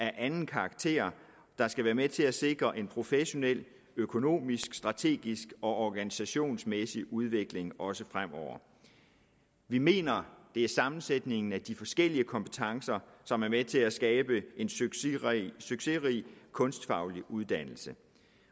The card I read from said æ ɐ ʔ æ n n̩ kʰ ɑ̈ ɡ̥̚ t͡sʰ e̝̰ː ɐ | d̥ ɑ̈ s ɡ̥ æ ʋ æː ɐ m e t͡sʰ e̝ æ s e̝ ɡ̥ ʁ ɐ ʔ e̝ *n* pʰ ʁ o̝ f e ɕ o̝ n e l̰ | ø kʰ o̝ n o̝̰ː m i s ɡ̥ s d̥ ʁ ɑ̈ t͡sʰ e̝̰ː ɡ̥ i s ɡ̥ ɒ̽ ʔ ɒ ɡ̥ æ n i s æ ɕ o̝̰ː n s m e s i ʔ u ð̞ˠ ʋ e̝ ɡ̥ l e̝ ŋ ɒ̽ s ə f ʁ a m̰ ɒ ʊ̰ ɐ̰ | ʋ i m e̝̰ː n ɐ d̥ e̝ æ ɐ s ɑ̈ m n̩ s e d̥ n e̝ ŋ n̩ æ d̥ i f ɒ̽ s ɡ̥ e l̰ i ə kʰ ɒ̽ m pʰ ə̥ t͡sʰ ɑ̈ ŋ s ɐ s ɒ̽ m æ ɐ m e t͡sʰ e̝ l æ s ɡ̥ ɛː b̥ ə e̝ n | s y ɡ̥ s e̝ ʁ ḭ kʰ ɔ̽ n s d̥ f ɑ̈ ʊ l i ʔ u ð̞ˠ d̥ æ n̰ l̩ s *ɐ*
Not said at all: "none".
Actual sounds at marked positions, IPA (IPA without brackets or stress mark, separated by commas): n, ə